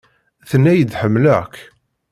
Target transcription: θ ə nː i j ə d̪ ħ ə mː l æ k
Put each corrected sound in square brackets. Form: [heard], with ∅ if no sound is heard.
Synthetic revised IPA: θ ə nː [æ] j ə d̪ ħ ə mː l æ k